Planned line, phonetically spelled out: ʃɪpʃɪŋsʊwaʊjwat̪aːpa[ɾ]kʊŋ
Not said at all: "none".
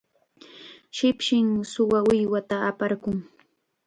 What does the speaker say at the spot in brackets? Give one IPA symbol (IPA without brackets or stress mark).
ɾ